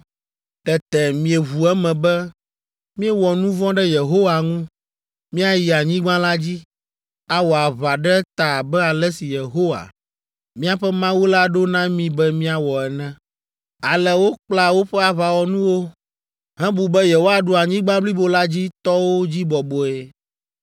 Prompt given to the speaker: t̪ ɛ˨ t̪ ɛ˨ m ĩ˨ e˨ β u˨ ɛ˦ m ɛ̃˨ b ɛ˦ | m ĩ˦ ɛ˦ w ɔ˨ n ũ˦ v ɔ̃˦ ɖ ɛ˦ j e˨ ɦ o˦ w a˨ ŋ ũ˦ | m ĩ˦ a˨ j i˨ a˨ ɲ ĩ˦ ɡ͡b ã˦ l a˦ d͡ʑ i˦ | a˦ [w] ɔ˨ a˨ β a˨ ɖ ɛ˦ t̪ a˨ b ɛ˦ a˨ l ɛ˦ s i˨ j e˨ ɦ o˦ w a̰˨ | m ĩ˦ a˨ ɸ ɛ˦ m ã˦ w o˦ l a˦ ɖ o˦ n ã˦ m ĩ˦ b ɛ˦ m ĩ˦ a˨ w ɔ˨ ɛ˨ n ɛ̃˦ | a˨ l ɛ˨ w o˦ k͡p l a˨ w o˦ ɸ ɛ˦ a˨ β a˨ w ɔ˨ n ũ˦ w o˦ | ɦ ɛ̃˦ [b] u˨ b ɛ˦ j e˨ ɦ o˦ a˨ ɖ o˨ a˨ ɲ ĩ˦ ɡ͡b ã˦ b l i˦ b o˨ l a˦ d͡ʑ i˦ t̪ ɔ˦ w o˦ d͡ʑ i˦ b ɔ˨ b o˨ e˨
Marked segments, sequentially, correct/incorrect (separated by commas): correct, correct